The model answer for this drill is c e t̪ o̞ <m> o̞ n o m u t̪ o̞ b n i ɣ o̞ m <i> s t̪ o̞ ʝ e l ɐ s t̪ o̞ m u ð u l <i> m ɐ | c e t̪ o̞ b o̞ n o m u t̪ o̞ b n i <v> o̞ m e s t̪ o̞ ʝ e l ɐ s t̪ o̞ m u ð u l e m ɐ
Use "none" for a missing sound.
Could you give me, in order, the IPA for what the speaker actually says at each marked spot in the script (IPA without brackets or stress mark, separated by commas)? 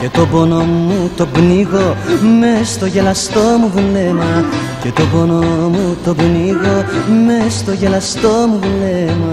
b, e, e, ɣ